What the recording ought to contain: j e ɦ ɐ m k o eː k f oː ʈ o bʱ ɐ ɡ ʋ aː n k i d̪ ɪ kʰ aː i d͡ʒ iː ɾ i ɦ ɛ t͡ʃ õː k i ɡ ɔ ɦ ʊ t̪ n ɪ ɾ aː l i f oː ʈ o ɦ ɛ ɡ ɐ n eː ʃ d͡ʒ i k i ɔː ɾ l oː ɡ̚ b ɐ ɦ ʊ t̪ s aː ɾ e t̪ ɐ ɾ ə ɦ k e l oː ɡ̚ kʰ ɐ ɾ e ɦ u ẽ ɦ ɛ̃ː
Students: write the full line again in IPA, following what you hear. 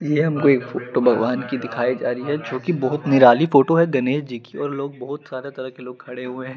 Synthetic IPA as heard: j e ɦ ɐ m k o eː k f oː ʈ o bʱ ɐ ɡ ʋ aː n k i d̪ ɪ kʰ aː i d͡ʒ aː ɾ i ɦ ɛ t͡ʃ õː k i b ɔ ɦ ʊ t̪ n ɪ ɾ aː l i f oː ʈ o ɦ ɛ ɡ ɐ n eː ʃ d͡ʒ i k i ɔː ɾ l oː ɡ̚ b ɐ ɦ ʊ t̪ s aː ɾ e t̪ ɐ ɾ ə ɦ k e l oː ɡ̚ kʰ ɐ ɽ e ɦ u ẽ ɦ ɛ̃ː